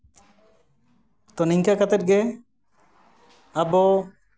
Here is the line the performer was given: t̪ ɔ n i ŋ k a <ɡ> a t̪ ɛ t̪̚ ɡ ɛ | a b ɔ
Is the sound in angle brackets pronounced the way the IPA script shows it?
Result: no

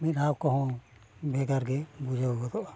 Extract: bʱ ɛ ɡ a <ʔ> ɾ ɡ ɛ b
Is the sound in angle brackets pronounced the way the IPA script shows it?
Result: no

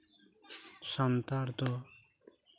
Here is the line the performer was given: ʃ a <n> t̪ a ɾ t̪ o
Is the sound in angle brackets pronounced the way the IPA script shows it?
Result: yes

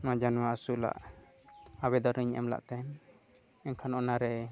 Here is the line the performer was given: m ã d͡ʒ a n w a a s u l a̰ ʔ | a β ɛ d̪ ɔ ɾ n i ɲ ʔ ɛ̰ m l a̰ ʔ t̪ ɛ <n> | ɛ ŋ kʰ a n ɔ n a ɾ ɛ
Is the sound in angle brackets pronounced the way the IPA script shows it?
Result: yes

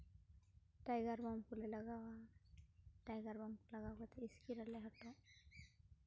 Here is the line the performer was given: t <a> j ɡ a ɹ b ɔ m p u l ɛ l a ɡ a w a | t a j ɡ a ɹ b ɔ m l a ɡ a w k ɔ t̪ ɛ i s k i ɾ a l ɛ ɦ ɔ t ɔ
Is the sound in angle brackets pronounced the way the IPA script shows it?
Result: yes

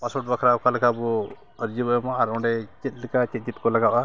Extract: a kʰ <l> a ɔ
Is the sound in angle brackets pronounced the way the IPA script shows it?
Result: no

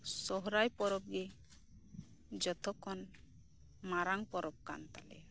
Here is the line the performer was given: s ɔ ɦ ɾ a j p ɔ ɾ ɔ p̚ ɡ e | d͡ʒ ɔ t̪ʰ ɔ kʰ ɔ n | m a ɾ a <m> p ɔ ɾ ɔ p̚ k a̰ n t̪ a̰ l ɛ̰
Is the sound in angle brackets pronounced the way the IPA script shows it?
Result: no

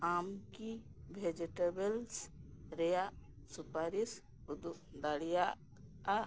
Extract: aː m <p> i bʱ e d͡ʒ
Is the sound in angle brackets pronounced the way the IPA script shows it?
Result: no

